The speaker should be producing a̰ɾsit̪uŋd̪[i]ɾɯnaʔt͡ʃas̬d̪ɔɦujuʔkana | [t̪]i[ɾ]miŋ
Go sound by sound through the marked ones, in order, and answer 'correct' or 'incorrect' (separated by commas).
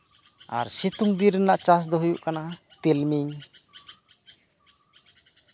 correct, correct, incorrect